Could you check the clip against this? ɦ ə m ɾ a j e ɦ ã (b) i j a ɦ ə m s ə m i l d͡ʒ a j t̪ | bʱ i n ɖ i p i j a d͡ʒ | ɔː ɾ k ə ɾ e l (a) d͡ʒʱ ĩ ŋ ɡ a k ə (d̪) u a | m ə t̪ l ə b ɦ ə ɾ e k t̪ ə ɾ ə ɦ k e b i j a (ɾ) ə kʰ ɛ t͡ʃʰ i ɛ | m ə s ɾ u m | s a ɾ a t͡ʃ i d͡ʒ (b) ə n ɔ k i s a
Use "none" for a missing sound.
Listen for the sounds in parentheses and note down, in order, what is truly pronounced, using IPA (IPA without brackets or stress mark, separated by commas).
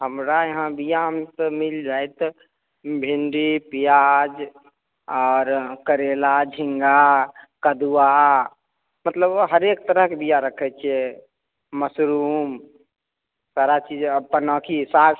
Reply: b, a, d̪, ɾ, p